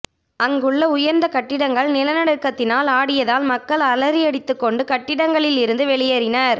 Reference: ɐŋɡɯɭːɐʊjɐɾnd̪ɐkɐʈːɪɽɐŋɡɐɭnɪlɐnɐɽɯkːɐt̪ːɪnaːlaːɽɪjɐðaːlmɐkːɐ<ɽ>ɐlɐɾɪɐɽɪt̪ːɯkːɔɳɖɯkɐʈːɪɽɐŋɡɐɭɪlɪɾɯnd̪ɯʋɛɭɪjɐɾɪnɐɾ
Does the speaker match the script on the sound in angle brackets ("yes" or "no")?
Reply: no